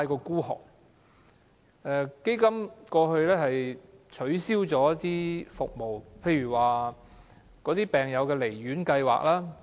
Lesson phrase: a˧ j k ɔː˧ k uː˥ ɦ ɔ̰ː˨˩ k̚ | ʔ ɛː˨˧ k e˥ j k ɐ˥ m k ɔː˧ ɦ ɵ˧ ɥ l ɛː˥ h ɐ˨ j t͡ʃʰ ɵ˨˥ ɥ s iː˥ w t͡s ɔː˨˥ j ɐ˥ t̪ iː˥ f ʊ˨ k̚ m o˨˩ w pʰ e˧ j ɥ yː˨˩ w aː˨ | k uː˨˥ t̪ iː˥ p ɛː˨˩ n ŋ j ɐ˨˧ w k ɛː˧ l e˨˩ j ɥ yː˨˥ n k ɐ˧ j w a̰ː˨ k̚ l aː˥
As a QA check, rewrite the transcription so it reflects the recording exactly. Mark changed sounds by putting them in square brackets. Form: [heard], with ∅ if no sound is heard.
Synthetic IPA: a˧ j k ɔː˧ k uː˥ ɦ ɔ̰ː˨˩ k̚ | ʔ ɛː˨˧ k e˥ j k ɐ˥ m k ɔː˧ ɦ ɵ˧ ɥ l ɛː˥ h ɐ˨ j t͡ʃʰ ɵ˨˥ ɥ s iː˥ w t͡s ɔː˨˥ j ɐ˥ t̪ iː˥ f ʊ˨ k̚ m o˨˩ w pʰ e˧ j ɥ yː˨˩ w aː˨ | k [ɔː˨˥] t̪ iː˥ p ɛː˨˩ [∅] ŋ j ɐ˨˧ w k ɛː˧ l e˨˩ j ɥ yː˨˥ n k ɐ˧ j w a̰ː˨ k̚ l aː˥

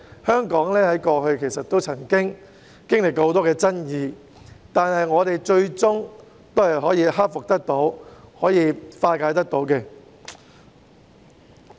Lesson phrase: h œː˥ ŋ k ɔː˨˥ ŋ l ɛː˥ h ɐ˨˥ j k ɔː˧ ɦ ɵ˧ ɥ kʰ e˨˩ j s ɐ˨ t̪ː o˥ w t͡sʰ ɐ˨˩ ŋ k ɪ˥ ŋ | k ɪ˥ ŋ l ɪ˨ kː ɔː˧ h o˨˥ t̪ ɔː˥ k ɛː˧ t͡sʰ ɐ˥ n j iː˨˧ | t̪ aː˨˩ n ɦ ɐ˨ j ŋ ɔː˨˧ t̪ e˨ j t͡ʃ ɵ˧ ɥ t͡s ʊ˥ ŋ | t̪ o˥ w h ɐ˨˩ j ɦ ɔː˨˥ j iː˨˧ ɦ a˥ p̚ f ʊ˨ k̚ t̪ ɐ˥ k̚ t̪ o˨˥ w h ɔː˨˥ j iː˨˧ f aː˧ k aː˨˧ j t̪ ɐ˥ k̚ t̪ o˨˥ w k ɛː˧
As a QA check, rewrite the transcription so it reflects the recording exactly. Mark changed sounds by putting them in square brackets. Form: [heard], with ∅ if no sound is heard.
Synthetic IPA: h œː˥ ŋ k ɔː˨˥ ŋ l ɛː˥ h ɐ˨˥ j k ɔː˧ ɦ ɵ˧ ɥ kʰ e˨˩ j s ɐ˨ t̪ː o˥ w t͡sʰ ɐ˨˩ ŋ k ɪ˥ ŋ | k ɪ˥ ŋ l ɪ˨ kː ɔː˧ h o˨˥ t̪ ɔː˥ k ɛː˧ [t͡s] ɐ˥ n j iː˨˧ | t̪ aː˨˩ n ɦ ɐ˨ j ŋ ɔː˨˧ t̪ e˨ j t͡ʃ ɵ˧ ɥ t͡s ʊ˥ ŋ | t̪ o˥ w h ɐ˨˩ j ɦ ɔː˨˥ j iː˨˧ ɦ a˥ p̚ f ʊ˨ k̚ t̪ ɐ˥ k̚ t̪ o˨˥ w h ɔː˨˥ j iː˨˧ f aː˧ k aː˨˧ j t̪ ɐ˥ k̚ t̪ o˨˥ w k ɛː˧

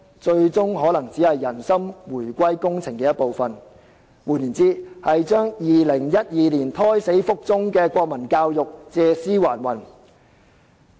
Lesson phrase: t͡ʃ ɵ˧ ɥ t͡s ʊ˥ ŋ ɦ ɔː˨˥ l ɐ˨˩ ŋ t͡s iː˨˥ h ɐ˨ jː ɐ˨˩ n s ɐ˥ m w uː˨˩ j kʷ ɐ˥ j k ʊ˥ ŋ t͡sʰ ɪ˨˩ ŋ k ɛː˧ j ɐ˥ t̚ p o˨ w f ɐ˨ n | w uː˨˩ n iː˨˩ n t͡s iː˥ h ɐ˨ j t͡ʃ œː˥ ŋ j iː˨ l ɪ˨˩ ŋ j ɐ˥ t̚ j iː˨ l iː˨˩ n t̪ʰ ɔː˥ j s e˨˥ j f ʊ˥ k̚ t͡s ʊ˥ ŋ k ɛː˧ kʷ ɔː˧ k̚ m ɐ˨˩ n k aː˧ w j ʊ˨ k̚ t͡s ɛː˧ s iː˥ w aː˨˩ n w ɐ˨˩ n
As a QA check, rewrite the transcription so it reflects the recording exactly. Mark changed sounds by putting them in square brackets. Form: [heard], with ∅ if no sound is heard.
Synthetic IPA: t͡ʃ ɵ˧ ɥ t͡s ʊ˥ ŋ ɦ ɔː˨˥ l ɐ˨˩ ŋ t͡s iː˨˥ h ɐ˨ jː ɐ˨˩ n s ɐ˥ m w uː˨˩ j kʷ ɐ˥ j k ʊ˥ ŋ t͡sʰ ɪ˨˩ ŋ k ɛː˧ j ɐ˥ t̚ p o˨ w f ɐ˨ n | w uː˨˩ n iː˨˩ n t͡s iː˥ h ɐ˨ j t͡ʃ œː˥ ŋ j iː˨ l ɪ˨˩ ŋ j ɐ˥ t̚ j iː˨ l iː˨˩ n t̪ʰ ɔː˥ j s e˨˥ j f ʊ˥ k̚ t͡s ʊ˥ ŋ k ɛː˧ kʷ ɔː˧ k̚ m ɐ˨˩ n k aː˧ w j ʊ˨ k̚ t͡s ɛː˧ s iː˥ w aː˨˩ n w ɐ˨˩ n

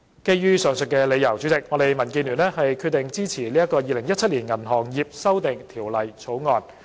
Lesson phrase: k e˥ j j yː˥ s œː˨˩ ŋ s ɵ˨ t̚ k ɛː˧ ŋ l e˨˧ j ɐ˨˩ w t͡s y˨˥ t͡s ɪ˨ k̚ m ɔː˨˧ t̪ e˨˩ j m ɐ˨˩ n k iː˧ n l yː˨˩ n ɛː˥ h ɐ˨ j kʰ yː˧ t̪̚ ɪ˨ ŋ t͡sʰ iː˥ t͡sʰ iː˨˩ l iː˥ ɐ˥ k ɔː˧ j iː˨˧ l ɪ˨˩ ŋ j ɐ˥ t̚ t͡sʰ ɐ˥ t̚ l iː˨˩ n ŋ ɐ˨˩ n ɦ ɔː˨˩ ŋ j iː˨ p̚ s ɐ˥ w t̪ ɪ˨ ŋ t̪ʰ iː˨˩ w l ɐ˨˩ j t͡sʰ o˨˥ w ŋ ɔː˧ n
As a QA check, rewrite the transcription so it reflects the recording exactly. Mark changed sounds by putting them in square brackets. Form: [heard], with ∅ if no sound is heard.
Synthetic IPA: k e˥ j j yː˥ s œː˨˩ ŋ s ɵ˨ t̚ k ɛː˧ [∅] l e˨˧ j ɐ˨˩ w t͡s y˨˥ t͡s ɪ˨ k̚ [ŋ] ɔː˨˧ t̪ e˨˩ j m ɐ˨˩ n k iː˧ n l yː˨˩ n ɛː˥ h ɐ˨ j kʰ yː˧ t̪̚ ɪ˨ ŋ [t͡s] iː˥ t͡sʰ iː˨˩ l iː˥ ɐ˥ k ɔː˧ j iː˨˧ l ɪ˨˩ ŋ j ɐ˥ t̚ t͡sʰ ɐ˥ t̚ l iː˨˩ n ŋ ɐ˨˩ n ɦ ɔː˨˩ ŋ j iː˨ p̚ s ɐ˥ w t̪ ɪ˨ ŋ t̪ʰ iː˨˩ w l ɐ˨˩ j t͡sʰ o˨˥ w ŋ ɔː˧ n

